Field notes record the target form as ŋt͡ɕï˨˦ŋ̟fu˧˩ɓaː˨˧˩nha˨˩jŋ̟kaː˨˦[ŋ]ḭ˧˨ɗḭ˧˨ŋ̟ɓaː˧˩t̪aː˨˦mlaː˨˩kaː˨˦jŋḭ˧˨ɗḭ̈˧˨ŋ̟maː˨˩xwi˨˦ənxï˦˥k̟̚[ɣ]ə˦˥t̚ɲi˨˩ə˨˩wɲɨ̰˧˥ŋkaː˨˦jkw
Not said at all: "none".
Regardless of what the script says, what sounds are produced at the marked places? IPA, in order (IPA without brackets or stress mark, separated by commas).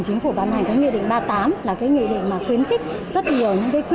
ŋ, z